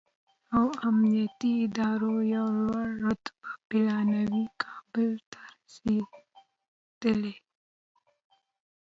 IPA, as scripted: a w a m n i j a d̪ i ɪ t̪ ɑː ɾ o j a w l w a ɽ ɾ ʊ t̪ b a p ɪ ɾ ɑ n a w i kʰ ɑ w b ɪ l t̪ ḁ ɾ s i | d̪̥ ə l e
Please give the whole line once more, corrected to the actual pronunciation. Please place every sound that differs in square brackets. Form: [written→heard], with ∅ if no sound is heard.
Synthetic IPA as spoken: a w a m n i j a [d̪→t̪] i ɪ [t̪→d̪] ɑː ɾ o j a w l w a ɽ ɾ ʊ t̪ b a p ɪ [ɾ→l] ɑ n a w i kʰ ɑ [w→∅] b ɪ l t̪ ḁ ɾ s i | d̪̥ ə l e